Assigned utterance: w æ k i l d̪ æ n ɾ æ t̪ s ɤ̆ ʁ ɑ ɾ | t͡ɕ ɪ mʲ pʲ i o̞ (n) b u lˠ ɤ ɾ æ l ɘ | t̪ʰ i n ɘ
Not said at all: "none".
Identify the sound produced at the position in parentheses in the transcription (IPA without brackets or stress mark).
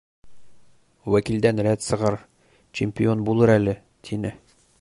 n